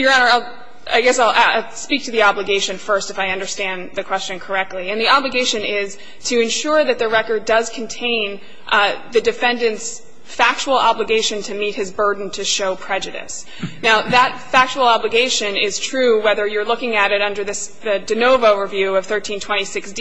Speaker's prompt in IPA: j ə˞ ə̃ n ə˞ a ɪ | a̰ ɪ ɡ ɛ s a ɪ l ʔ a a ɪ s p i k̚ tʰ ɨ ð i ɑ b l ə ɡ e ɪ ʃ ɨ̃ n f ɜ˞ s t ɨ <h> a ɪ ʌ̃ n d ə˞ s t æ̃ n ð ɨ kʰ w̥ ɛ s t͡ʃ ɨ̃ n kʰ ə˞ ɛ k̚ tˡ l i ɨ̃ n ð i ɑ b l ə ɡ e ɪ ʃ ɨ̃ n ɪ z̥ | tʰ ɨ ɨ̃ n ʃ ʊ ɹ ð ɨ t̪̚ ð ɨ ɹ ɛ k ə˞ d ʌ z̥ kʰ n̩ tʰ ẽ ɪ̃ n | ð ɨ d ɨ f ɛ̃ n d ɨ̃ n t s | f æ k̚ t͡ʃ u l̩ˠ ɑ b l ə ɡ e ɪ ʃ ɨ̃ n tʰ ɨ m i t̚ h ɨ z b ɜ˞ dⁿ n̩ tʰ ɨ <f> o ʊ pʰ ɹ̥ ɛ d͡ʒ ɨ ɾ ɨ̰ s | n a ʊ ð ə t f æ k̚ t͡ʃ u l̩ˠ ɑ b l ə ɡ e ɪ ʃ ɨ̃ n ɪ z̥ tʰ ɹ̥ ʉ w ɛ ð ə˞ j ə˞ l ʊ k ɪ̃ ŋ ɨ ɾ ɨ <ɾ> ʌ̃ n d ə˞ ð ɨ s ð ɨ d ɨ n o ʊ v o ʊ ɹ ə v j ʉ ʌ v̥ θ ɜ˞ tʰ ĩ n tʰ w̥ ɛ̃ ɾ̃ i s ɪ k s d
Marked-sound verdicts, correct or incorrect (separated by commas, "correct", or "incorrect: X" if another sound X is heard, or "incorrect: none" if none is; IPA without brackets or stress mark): incorrect: f, incorrect: ʃ, correct